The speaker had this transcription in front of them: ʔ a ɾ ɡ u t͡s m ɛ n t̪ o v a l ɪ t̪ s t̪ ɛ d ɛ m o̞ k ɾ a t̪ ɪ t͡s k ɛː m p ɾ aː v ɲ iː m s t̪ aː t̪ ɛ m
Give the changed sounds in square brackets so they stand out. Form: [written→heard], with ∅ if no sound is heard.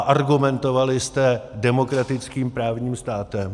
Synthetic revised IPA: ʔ a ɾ ɡ u [t͡s→∅] m ɛ n t̪ o v a l ɪ [t̪→∅] s t̪ ɛ d ɛ m o̞ k ɾ a t̪ ɪ t͡s k [ɛː→iː] m p ɾ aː v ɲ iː m s t̪ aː t̪ ɛ m